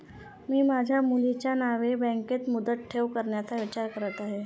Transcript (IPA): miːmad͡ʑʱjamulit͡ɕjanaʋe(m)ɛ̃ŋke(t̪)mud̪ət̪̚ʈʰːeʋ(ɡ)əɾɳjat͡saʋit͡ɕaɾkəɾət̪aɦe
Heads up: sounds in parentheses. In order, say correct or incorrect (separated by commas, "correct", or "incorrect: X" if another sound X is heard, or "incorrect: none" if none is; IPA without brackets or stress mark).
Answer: incorrect: b, correct, incorrect: k